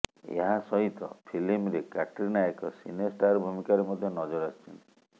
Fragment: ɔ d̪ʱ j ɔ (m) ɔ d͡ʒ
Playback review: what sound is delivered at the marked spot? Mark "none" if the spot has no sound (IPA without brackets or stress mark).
n